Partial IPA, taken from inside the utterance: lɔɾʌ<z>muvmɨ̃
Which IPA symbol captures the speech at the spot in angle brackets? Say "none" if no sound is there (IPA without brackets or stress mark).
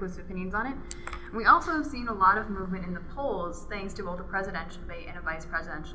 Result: v